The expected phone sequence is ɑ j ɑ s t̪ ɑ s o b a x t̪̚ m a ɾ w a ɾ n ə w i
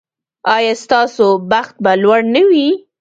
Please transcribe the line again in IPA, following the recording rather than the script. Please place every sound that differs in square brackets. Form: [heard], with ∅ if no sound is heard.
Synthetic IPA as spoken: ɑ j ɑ s t̪ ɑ s o b a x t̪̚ [b] a [l] w a [ɽ] n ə w i